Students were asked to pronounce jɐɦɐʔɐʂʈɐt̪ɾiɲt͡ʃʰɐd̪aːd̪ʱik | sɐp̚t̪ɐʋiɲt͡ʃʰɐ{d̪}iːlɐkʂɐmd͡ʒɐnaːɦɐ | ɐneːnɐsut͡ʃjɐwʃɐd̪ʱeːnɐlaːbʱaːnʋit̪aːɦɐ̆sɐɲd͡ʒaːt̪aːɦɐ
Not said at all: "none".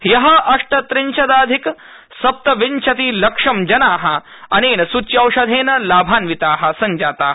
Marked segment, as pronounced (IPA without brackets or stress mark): t̪